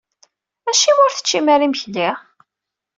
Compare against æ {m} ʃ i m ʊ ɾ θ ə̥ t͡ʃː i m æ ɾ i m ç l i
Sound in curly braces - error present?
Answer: yes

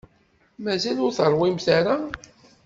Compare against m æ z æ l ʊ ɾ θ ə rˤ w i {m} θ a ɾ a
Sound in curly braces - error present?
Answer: no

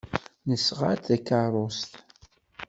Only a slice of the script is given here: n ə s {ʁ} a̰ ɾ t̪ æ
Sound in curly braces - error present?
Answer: no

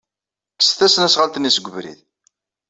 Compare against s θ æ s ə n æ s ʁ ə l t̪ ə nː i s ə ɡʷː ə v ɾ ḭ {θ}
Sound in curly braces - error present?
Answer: yes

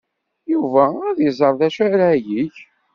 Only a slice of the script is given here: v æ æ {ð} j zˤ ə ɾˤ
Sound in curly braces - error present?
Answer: no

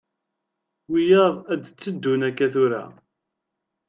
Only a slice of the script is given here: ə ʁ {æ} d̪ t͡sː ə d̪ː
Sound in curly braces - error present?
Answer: no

